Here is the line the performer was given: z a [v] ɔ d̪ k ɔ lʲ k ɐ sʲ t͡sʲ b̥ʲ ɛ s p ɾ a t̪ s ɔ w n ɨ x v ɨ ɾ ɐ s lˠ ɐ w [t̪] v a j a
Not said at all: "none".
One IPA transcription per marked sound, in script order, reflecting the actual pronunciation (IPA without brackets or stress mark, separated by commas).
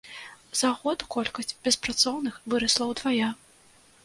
ɣ, d̪